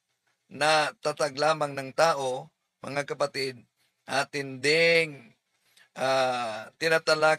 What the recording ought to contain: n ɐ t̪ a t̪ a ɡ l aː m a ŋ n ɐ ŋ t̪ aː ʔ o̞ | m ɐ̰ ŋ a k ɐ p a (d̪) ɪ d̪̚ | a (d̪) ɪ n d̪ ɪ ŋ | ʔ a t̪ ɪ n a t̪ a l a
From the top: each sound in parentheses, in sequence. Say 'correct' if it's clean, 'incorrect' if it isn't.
incorrect, incorrect

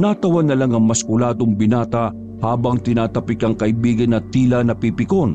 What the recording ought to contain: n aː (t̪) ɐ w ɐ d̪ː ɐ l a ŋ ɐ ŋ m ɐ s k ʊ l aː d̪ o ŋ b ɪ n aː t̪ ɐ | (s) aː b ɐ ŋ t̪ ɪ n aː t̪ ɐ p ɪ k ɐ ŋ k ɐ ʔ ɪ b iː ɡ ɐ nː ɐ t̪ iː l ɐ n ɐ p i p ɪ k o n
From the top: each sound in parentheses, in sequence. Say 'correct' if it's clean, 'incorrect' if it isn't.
correct, incorrect

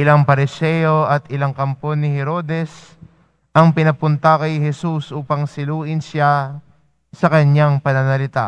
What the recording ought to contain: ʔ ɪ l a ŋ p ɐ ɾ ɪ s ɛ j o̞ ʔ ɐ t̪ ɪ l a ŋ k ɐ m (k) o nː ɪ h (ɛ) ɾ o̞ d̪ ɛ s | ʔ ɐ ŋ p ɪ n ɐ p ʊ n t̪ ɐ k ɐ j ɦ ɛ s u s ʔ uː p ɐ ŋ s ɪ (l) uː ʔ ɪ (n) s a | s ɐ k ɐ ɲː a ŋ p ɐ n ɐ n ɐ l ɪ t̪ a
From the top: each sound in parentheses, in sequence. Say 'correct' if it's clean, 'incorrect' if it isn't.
incorrect, correct, correct, correct

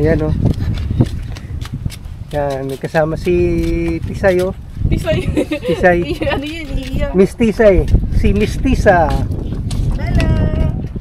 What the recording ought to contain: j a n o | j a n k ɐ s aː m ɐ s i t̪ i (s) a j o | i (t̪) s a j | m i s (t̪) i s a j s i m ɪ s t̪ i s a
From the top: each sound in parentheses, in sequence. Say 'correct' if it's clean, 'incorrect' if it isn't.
correct, incorrect, correct

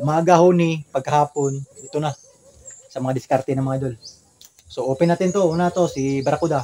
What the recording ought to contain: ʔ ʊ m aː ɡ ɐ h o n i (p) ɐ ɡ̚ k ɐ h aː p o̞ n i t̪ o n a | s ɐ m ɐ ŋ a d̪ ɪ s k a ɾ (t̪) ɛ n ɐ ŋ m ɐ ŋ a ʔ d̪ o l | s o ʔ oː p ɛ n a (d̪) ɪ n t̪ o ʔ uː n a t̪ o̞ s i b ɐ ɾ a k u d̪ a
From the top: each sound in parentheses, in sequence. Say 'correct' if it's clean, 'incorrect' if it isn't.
correct, correct, incorrect

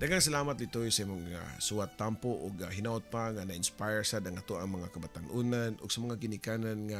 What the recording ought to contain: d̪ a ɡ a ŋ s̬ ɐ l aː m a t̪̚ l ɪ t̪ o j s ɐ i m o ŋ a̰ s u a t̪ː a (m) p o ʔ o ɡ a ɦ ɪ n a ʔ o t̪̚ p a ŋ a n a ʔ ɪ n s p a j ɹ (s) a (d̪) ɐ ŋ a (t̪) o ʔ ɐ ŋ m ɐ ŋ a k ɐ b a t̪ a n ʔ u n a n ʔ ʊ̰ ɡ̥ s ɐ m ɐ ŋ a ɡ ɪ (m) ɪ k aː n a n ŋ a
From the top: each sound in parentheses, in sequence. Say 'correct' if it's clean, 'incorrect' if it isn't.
correct, correct, correct, correct, incorrect

